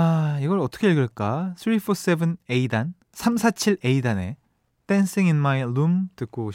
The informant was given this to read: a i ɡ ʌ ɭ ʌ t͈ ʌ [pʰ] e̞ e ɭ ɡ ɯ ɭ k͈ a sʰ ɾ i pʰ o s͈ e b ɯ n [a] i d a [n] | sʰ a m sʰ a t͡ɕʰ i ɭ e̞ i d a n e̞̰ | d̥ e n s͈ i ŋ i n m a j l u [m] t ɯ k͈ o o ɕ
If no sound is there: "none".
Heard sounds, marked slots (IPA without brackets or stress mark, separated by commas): kʰ, e, n, m